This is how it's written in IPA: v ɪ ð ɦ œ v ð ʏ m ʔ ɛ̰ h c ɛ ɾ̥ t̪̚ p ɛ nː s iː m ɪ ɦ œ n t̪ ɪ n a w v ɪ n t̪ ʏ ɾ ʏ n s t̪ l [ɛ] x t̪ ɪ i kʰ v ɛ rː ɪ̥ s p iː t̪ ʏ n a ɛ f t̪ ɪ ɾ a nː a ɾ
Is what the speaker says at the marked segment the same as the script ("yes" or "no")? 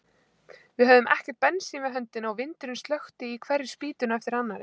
no